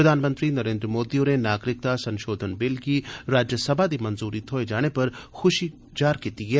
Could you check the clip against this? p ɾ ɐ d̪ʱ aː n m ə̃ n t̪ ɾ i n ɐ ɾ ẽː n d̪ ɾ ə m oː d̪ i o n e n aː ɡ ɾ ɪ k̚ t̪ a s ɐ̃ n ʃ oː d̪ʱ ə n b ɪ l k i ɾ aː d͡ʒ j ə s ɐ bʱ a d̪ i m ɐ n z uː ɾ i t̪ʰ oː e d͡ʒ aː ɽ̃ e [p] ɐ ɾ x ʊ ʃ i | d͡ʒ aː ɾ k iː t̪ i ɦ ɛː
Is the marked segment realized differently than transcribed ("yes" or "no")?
no